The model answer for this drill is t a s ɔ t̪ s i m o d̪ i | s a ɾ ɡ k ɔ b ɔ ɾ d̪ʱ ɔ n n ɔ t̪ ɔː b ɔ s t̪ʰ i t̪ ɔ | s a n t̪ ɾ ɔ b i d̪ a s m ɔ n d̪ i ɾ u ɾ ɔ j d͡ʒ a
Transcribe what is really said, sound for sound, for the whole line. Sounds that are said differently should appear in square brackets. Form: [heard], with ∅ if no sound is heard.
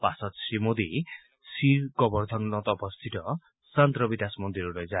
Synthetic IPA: [p] a s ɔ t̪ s i m o d̪ i | s [i] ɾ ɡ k ɔ b ɔ ɾ d̪ʱ ɔ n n ɔ t̪ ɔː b ɔ s t̪ʰ i t̪ ɔ | s a n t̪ ɾ ɔ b i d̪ a s m ɔ n d̪ i ɾ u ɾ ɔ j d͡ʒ a